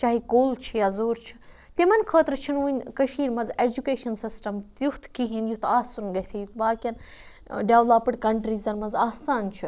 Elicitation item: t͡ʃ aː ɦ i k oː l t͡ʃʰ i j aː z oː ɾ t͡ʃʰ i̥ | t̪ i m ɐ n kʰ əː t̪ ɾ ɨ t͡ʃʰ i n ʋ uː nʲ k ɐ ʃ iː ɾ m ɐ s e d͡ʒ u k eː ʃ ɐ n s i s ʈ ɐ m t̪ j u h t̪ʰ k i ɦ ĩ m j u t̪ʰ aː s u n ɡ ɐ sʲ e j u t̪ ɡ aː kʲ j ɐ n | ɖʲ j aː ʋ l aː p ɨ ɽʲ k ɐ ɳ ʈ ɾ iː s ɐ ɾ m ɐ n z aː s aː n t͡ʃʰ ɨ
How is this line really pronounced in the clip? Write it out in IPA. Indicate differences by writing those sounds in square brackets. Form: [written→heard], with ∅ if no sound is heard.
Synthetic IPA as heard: t͡ʃ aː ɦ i k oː l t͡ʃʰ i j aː z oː ɾ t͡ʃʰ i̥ | t̪ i m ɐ n kʰ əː t̪ ɾ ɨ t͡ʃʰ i n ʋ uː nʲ k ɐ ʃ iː ɾ m ɐ [s→z] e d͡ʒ u k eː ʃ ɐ n s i s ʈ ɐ m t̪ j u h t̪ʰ k i ɦ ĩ [m→n] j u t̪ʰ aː s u n ɡ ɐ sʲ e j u t̪ [ɡ→b] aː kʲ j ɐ n | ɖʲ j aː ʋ l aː p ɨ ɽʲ k ɐ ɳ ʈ ɾ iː [s→z] ɐ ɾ m ɐ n z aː s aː n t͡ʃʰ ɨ